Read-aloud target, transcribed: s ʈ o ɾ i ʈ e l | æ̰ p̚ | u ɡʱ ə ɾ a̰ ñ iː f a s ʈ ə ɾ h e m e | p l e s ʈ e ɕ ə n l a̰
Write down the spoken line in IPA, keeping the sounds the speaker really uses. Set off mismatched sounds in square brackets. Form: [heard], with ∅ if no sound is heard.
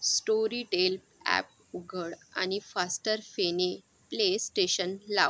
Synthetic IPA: s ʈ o ɾ i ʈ e l | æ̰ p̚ | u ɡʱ ə [ɽ] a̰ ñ [i] f a s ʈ ə ɾ [f] e [n] e | p l e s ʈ e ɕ ə n l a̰